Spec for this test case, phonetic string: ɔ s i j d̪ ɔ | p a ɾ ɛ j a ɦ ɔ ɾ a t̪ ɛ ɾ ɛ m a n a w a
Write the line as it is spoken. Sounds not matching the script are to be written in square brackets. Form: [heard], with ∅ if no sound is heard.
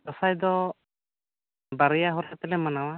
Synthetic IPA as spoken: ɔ s [a] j d̪ ɔ | [b] a ɾ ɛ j a ɦ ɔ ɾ a t̪ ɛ [l] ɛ m a n a w a